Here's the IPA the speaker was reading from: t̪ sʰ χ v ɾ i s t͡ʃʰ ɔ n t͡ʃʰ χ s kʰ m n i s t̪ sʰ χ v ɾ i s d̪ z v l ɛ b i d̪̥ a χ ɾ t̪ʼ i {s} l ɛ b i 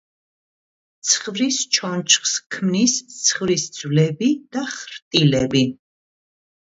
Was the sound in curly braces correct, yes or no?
no